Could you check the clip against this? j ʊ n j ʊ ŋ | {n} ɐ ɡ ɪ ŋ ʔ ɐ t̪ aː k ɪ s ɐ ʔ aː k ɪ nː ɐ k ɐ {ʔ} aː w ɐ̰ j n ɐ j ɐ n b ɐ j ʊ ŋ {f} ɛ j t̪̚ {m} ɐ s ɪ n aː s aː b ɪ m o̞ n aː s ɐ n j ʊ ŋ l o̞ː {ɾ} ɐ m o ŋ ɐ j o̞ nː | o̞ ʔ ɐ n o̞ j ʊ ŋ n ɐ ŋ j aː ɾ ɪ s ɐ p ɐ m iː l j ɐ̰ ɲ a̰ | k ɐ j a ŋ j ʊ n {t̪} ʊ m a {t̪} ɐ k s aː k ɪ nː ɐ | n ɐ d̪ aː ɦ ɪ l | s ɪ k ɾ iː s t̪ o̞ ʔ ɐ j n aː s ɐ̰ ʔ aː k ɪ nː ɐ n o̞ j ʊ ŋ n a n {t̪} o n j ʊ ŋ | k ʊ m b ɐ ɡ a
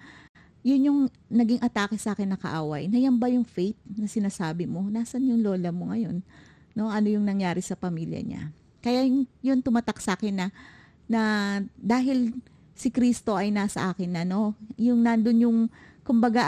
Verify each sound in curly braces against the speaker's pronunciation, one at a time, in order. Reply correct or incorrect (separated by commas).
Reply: correct, correct, correct, incorrect, incorrect, correct, correct, incorrect